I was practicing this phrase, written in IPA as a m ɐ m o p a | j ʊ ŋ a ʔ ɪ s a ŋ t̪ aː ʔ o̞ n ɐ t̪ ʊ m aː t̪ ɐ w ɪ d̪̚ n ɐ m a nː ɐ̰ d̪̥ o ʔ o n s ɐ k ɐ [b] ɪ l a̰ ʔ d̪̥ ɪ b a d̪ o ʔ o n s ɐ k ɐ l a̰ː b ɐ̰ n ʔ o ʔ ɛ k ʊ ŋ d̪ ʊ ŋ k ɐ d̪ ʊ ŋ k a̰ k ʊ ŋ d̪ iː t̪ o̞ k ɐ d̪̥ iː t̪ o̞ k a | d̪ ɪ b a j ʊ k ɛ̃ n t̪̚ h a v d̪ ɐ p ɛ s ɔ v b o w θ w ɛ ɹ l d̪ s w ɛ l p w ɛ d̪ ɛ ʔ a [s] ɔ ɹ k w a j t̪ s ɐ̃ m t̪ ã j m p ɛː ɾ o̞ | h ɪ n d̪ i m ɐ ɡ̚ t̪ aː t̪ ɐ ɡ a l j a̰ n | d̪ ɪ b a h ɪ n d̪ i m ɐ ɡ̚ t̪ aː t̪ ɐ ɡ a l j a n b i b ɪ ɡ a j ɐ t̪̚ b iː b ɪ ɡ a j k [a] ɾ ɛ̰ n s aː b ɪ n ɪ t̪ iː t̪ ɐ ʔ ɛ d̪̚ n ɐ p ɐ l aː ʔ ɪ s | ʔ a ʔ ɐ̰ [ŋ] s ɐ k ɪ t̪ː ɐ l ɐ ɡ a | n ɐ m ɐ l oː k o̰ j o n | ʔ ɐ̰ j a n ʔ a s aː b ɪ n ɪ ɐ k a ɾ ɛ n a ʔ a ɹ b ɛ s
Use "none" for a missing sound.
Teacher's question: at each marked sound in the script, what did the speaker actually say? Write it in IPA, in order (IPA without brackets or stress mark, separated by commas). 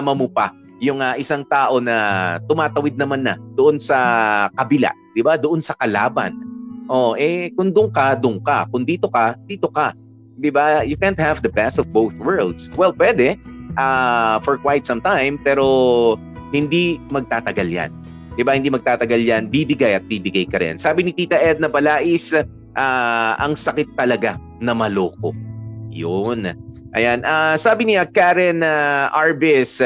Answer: b, f, ɐ, ŋ